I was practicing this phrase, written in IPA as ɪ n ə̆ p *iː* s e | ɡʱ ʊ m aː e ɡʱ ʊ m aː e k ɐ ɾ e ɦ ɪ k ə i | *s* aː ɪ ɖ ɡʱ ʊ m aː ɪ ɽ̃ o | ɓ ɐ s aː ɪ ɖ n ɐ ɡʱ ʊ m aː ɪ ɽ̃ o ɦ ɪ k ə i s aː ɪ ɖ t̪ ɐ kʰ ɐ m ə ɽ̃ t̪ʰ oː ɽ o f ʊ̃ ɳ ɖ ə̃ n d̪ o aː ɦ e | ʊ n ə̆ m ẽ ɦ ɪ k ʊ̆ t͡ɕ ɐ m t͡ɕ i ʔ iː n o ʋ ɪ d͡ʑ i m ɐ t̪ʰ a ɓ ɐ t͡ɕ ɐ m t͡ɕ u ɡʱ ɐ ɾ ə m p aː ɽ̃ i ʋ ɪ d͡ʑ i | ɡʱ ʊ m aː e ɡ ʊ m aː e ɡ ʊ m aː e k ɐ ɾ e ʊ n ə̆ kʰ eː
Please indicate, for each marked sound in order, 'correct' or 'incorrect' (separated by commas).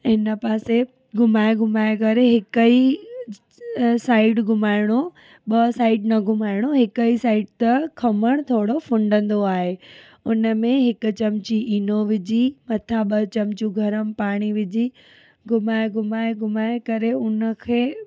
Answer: incorrect, correct